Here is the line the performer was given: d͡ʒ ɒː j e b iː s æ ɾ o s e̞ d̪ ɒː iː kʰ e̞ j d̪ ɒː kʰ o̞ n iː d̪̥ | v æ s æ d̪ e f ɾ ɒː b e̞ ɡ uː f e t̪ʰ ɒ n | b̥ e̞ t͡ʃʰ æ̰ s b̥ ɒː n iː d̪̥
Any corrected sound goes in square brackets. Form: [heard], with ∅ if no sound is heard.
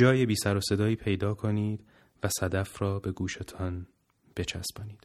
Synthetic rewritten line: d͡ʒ ɒː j e b iː s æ ɾ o s e̞ d̪ ɒː iː [pʰ] e̞ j d̪ ɒː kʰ o̞ n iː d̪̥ | v æ s æ d̪ [æ] f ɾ ɒː b e̞ ɡ uː [ʃ] e t̪ʰ ɒ n | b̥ e̞ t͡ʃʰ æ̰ s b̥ ɒː n iː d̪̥